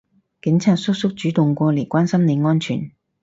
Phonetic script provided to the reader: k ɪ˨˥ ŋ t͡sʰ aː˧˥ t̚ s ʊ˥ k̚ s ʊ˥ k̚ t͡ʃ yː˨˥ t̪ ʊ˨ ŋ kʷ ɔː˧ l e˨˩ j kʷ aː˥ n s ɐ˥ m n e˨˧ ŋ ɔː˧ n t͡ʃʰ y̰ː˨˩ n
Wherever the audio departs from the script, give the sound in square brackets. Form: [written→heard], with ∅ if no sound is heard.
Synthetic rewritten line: k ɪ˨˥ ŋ t͡sʰ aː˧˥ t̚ s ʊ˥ k̚ s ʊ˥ k̚ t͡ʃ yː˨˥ t̪ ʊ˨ ŋ kʷ ɔː˧ l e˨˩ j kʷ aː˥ n s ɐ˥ m n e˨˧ ŋ [ɔː˧→ɔː˥] n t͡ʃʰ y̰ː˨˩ n